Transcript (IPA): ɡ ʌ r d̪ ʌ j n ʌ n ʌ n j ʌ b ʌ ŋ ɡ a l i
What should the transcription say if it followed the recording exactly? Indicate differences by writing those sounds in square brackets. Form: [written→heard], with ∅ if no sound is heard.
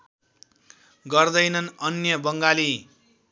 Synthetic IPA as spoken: ɡ ʌ r d̪ ʌ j n ʌ n ʌ n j ʌ b ʌ ŋ ɡ a l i